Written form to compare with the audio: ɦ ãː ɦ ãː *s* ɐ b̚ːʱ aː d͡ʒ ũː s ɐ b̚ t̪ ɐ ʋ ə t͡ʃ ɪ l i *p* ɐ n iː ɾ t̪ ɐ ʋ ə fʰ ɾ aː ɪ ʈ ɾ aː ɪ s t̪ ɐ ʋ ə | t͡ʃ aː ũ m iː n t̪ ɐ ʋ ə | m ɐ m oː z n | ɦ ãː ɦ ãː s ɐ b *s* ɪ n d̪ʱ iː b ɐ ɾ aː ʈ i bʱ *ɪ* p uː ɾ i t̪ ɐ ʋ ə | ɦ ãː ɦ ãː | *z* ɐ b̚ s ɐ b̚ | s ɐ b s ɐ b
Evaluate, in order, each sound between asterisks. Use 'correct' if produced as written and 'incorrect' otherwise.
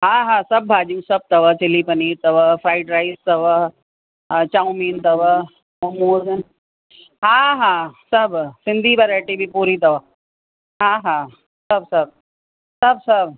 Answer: correct, correct, correct, incorrect, incorrect

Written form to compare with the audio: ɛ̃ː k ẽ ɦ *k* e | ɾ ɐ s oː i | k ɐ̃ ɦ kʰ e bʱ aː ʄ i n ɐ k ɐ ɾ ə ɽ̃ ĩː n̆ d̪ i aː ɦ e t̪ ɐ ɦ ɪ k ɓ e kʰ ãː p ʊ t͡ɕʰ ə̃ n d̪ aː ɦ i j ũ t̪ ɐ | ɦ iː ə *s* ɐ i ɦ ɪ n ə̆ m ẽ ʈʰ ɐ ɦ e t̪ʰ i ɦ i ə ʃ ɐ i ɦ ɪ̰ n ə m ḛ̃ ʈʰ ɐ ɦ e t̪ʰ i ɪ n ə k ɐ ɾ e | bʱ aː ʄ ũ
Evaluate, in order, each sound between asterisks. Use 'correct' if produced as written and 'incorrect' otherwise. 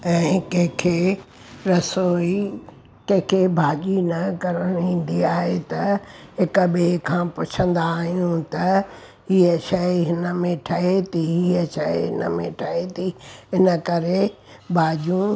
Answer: incorrect, incorrect

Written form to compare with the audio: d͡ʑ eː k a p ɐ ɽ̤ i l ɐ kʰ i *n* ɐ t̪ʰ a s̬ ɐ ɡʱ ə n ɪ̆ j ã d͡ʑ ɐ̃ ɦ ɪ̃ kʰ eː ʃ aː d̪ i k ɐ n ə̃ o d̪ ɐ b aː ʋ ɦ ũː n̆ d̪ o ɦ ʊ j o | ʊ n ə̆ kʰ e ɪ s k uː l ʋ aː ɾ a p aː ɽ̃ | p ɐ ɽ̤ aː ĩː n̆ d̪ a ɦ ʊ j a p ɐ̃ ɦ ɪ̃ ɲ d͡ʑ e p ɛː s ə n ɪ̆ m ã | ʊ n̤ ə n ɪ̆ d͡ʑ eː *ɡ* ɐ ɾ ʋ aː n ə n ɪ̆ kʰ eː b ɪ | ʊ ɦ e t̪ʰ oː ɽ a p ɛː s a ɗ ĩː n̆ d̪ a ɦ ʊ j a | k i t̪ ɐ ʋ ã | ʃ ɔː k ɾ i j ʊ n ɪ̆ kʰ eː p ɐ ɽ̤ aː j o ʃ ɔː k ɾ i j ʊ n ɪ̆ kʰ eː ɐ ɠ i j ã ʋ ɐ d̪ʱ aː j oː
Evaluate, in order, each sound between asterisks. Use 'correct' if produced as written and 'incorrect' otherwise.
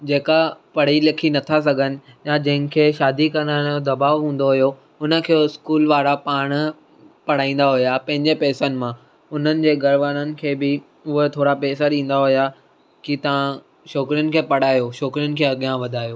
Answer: correct, correct

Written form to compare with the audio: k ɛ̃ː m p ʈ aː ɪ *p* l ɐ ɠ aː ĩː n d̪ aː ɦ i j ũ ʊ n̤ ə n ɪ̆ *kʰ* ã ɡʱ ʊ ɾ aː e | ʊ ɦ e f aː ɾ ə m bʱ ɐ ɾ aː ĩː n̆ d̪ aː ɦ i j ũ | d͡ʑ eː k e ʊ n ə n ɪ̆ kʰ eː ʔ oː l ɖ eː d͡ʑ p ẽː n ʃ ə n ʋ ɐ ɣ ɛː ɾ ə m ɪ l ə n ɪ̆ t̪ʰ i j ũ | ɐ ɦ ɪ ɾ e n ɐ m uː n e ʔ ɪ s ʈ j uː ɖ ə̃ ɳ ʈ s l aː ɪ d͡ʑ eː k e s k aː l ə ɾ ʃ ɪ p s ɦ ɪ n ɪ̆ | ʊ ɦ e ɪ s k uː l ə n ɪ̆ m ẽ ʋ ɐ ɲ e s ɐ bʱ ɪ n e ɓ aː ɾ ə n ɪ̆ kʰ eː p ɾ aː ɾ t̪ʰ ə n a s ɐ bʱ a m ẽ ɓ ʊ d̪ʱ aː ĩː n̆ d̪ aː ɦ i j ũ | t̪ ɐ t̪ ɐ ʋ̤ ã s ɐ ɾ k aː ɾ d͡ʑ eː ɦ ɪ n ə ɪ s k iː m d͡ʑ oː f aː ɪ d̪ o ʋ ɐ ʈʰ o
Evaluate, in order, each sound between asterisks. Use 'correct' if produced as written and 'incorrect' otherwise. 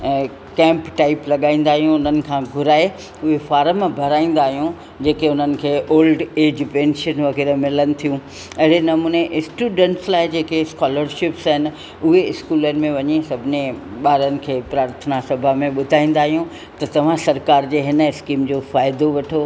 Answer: correct, correct

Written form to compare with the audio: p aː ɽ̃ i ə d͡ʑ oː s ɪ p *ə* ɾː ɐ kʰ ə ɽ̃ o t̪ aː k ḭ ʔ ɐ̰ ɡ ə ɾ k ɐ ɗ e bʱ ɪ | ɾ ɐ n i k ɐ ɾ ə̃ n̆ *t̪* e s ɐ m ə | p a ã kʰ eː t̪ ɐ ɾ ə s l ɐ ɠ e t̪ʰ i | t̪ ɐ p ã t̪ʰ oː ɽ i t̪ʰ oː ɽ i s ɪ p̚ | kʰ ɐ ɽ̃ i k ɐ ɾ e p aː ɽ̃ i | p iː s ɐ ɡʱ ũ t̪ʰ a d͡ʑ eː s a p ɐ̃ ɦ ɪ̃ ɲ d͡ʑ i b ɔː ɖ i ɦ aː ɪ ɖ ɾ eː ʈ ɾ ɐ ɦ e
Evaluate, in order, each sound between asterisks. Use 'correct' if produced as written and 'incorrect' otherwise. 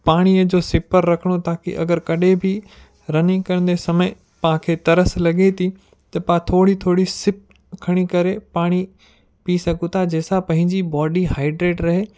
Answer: correct, incorrect

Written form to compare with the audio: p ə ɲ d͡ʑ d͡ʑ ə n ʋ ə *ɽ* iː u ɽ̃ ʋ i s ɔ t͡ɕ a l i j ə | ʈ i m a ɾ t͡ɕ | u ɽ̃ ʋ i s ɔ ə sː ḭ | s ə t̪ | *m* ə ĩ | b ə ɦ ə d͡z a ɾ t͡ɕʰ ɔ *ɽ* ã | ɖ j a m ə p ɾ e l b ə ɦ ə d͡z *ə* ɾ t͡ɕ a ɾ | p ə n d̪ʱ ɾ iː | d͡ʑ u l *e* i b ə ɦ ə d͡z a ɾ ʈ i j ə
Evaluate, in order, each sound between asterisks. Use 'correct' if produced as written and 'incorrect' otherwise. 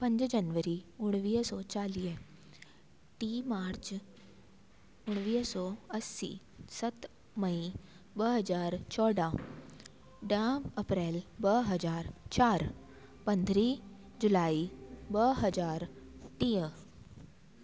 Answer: incorrect, correct, correct, incorrect, incorrect

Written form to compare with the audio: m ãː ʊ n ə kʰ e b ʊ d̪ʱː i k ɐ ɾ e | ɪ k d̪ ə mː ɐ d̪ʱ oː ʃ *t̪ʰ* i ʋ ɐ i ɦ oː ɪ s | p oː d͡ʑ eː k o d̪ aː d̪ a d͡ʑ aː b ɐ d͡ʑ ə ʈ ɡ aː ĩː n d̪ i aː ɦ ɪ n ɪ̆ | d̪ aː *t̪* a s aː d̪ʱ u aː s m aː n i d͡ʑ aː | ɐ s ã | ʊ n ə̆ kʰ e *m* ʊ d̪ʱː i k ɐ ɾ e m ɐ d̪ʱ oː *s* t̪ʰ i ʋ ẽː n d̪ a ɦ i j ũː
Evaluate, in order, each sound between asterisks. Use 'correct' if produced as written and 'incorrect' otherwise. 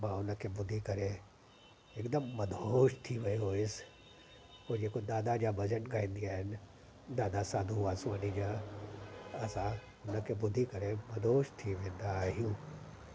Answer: correct, incorrect, incorrect, incorrect

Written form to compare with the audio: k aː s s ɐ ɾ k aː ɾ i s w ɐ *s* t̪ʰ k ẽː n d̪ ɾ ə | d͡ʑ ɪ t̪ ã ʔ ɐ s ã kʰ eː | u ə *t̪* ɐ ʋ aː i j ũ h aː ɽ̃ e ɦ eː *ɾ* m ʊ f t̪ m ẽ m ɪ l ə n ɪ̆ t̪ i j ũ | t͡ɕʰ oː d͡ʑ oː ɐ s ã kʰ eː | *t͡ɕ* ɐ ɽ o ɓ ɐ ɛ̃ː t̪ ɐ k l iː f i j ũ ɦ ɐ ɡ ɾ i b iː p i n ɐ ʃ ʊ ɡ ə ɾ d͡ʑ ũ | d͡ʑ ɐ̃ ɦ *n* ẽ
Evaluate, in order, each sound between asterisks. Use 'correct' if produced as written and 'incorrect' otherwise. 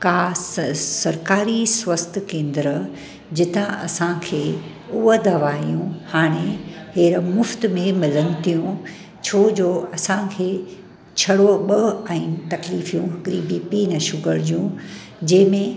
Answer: correct, incorrect, correct, incorrect, incorrect

